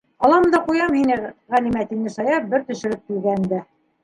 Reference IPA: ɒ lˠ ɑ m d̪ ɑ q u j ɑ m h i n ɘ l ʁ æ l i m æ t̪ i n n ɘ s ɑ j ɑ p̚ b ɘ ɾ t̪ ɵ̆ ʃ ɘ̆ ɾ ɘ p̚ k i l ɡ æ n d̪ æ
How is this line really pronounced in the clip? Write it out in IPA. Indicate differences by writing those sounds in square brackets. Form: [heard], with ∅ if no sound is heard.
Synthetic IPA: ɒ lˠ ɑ m d̪ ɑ q u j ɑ m h i n ɘ [∅] ʁ æ l i m æ t̪ i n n ɘ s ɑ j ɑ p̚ b ɘ ɾ t̪ ɵ̆ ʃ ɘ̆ ɾ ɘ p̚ k i l ɡ æ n d̪ æ